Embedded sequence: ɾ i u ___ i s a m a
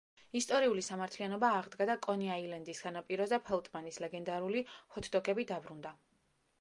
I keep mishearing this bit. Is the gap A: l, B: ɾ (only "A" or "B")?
A